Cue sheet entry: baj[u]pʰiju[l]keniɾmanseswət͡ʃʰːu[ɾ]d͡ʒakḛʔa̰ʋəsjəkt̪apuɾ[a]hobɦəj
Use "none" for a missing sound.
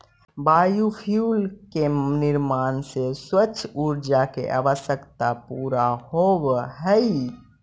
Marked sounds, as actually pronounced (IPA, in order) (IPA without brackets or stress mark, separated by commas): u, l, ɾ, a